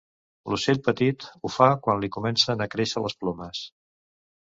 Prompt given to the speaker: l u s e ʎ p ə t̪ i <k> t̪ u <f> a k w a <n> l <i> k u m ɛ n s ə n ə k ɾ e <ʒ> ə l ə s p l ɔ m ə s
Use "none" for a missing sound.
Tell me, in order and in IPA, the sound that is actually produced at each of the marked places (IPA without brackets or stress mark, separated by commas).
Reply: none, f, n, i, ʃ